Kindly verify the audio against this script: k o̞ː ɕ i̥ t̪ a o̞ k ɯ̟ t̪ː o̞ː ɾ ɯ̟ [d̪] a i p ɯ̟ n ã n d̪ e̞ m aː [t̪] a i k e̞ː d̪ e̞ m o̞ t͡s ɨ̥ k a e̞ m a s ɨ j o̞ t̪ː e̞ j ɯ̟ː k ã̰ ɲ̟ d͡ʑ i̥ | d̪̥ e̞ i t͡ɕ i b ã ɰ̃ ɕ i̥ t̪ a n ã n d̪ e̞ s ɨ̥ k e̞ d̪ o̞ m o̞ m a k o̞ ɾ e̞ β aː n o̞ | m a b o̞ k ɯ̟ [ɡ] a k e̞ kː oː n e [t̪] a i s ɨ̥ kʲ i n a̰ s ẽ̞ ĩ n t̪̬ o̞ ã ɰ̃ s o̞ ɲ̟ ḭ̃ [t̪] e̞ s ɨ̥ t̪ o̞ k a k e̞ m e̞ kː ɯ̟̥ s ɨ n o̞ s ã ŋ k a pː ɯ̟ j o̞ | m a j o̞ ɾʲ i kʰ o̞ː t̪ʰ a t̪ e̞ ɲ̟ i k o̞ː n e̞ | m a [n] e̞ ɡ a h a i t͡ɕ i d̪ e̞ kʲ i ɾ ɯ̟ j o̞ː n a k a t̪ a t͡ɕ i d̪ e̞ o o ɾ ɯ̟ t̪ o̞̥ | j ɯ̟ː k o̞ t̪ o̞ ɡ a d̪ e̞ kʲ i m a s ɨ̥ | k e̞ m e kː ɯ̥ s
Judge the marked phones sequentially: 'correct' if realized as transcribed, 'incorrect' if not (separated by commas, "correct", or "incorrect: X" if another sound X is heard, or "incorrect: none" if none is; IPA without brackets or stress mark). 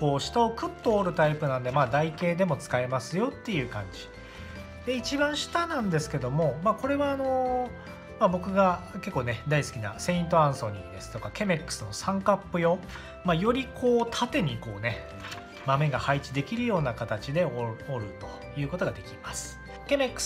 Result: incorrect: t̪, incorrect: d̪, correct, incorrect: d̪, incorrect: d̪, incorrect: m